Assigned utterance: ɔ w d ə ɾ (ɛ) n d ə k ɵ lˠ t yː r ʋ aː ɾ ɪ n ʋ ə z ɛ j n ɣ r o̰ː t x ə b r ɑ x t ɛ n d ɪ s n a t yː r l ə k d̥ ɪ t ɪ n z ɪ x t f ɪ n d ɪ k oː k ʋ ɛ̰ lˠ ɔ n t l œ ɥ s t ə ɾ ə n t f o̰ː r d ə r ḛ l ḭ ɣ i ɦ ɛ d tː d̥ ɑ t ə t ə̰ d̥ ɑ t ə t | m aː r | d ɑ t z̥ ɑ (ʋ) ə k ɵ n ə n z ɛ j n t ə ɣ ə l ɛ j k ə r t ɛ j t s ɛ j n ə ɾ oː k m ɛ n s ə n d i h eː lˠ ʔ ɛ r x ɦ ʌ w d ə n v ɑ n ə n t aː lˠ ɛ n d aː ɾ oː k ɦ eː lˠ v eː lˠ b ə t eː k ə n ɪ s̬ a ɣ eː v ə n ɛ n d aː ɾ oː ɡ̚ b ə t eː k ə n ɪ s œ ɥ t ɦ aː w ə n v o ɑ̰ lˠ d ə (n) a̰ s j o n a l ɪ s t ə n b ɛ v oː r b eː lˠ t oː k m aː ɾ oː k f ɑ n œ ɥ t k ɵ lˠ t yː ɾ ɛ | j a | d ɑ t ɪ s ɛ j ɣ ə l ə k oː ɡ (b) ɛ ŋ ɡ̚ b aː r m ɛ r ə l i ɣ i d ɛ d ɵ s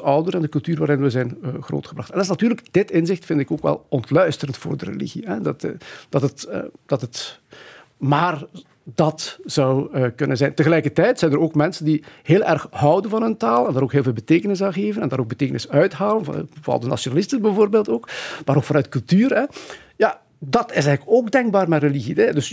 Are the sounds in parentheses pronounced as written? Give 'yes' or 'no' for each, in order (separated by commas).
yes, no, yes, no